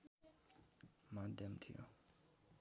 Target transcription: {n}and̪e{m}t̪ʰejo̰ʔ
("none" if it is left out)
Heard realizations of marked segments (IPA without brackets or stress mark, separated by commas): m, m